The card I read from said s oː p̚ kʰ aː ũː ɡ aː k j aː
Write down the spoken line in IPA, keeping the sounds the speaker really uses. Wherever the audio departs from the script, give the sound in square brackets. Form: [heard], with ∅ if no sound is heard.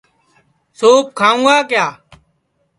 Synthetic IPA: s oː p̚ kʰ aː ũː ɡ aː k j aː